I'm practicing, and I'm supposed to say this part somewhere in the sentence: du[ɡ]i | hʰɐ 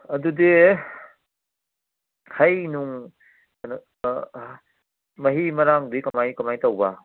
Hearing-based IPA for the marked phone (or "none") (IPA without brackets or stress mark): d